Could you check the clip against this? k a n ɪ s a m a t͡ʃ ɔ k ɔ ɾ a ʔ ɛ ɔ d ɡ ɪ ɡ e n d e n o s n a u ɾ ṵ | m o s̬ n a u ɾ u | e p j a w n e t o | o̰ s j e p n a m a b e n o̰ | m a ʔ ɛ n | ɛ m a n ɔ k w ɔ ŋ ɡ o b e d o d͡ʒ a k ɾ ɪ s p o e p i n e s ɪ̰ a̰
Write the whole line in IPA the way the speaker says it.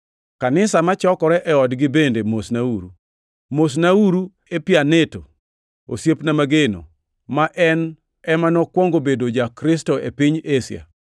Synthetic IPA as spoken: k a n ɪ s a m a t͡ʃ ɔ k ɔ ɾ ɛ ʔ ɛ ɔ d ɡ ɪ b e n d e m o s n a u ɾ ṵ | m o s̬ n a u ɾ u | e p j a n e t o | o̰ s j e p n a m a ɡ e n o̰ | m a ʔ ɛ n | ɛ m a n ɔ k w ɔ ŋ ɡ o b e d o d͡ʒ a k ɾ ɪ s t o e p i ɲ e s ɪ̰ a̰